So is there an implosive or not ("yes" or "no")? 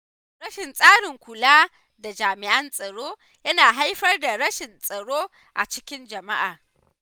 no